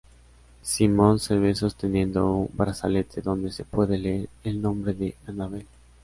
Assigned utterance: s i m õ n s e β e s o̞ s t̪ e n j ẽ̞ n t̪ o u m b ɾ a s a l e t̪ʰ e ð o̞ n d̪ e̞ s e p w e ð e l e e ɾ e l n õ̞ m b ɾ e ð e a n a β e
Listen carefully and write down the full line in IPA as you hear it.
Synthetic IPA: s i m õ n s e β e s o̞ s t̪ e n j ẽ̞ n d̪ o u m b ɾ a s a l e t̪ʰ e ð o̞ n d̪ e̞ s e p w e ð e l e e ɾ e l n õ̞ m b ɾ e ð e a n a β e